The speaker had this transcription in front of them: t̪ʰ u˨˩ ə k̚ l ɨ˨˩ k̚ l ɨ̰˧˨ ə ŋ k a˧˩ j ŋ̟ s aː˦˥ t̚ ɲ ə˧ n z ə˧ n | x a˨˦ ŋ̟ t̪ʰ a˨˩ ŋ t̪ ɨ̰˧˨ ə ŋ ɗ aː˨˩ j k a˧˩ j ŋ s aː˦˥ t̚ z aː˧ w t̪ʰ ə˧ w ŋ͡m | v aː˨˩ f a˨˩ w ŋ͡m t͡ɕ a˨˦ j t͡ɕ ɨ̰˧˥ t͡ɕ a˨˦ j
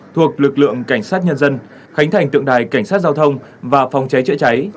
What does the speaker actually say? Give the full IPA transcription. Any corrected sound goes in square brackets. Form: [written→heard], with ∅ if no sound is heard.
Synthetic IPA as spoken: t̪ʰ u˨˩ ə k̚ l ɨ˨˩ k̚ l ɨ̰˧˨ ə ŋ k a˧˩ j ŋ̟ s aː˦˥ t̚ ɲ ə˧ n z ə˧ n | x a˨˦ ŋ̟ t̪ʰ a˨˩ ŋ t̪ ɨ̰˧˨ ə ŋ ɗ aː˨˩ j k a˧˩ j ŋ s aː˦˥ t̚ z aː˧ w t̪ʰ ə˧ w ŋ͡m | v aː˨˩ f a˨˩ w ŋ͡m t͡ɕ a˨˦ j t͡ɕ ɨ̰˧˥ t͡ɕ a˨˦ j

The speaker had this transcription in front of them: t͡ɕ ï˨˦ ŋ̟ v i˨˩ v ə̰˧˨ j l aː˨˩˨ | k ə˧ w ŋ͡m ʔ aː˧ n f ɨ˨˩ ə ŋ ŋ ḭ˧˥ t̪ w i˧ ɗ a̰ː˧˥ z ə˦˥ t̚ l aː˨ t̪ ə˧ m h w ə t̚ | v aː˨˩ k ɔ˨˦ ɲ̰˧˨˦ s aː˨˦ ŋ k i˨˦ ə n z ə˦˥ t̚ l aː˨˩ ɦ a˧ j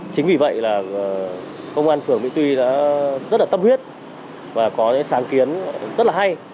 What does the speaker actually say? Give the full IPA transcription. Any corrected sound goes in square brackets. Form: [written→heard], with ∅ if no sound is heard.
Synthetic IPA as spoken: t͡ɕ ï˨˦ ŋ̟ v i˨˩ v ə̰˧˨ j l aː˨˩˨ | k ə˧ w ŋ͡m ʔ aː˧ n f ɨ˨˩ ə ŋ [ŋ→m] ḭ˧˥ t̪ w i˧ ɗ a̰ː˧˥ z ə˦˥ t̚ l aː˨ t̪ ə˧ m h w ə t̚ | v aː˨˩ k ɔ˨˦ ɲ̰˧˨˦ s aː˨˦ ŋ k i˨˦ ə n z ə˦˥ t̚ l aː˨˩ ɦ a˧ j

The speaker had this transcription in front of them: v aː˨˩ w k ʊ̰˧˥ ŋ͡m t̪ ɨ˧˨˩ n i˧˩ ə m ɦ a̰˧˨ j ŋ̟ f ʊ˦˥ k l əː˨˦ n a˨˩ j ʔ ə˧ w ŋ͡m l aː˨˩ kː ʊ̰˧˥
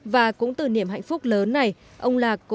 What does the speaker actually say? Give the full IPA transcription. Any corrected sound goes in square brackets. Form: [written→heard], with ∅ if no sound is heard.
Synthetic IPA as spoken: v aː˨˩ [w→∅] k ʊ̰˧˥ ŋ͡m t̪ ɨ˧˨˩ n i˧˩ ə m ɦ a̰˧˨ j ŋ̟ f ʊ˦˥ [k→k͡p̚] l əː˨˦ [n→nː] a˨˩ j ʔ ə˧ w ŋ͡m l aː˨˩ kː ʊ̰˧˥

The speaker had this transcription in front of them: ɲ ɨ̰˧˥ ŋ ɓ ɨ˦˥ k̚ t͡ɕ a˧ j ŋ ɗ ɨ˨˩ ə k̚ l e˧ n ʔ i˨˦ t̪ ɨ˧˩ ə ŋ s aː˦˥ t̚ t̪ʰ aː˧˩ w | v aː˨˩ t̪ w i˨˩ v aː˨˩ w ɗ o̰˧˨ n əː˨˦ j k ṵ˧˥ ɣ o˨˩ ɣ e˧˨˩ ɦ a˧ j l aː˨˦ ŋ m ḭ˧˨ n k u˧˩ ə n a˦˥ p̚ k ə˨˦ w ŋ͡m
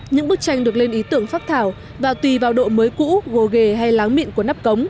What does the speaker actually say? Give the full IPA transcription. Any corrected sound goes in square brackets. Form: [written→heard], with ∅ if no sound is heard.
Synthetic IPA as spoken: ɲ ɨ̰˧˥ ŋ ɓ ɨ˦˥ k̚ t͡ɕ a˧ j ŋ ɗ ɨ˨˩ ə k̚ l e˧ n ʔ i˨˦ t̪ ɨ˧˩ ə ŋ [s→f] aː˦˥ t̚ t̪ʰ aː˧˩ w | v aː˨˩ t̪ w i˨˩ v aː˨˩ w ɗ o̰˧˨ [n→m] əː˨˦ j k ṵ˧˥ ɣ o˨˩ ɣ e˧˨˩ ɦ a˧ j l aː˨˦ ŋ m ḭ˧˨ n k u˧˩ ə n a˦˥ p̚ k ə˨˦ w ŋ͡m

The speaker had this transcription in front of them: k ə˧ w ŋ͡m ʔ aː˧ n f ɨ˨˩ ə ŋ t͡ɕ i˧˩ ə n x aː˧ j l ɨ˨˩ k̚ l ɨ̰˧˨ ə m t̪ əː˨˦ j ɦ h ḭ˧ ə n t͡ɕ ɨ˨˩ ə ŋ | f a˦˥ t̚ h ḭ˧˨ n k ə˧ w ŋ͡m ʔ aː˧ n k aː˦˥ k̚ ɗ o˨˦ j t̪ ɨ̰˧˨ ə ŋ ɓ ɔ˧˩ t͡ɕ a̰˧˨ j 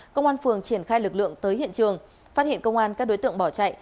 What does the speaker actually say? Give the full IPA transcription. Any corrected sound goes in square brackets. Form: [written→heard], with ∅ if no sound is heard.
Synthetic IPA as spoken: k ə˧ w ŋ͡m ʔ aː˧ n f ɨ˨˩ ə ŋ t͡ɕ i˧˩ ə n x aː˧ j l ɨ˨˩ k̚ l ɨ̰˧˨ ə [m→ŋ] t̪ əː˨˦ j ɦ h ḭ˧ ə n t͡ɕ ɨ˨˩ ə ŋ | f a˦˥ t̚ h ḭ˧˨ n k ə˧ w ŋ͡m ʔ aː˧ n k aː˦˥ k̚ ɗ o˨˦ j t̪ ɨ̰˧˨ ə ŋ ɓ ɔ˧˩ t͡ɕ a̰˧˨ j

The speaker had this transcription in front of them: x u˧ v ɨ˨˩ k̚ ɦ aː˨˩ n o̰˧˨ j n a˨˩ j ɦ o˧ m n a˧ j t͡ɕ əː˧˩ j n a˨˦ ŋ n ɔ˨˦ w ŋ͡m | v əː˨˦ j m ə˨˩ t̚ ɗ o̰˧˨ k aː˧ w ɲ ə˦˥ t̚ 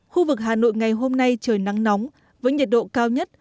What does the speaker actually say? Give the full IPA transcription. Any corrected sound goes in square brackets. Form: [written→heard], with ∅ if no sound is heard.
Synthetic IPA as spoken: x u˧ v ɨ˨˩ k̚ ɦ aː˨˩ n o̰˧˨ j [n→ŋ] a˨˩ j ɦ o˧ m n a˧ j t͡ɕ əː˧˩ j n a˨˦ ŋ n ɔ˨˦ w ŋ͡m | v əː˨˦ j [m→ɲ] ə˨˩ t̚ ɗ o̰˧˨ k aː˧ w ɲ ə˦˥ t̚

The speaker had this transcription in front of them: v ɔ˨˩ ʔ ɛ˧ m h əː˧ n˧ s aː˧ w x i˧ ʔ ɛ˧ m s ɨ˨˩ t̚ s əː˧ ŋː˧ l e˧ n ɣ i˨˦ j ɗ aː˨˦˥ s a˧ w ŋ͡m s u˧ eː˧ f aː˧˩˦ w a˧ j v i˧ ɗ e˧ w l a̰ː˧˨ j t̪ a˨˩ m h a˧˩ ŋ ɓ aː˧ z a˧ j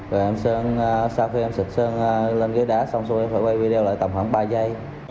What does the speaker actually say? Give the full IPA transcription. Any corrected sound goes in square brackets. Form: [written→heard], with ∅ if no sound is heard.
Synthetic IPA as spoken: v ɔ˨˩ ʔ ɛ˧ m [h→s] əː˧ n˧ s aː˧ w x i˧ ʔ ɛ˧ m s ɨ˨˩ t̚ s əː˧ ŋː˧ l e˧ n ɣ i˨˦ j ɗ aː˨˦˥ s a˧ w ŋ͡m s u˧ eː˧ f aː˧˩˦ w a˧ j v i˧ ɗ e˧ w l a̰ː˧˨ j t̪ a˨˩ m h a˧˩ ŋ ɓ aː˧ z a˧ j

